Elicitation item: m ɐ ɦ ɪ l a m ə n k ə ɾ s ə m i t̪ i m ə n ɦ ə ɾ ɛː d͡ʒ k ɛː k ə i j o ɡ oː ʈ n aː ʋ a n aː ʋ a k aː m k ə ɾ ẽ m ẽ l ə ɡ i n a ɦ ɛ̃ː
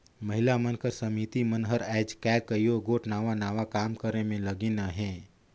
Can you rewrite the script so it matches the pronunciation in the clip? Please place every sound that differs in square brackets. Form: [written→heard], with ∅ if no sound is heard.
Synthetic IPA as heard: m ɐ ɦ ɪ l a m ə n k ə ɾ s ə m i t̪ i m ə n ɦ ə ɾ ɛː d͡ʒ k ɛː k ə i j o ɡ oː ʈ n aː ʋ a n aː ʋ a k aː m k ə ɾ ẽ m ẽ l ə ɡ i n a ɦ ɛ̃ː